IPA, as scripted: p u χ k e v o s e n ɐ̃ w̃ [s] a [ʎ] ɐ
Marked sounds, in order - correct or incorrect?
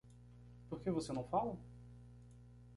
incorrect: f, incorrect: l

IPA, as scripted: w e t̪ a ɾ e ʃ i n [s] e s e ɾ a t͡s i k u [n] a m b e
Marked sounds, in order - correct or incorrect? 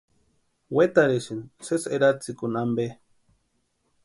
correct, correct

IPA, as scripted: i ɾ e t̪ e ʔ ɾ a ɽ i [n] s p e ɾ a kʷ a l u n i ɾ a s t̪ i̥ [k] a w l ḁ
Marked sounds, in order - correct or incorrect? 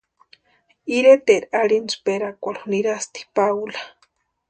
correct, incorrect: p

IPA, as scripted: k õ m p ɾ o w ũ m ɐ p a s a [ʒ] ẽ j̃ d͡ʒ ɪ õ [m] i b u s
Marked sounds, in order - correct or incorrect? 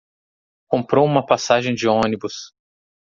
correct, incorrect: n

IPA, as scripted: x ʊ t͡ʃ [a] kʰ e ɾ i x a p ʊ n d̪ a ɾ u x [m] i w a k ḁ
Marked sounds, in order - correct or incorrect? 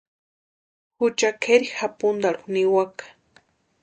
correct, incorrect: n

